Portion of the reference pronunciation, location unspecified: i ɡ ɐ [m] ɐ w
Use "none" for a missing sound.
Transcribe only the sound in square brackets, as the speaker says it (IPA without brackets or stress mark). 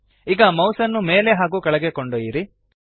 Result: m